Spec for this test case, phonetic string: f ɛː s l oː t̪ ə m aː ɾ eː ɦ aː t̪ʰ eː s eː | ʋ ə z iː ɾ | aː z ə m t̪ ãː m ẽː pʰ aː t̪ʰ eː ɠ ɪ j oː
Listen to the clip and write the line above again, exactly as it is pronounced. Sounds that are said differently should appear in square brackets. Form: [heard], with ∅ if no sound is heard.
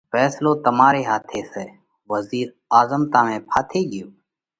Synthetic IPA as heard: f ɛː s l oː t̪ ə m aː ɾ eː ɦ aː t̪ʰ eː s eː | ʋ ə z iː ɾ | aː z ə m t̪ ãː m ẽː pʰ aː t̪ʰ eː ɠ ɪ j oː